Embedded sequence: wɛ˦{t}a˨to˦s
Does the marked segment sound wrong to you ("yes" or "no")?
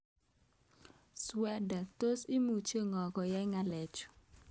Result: yes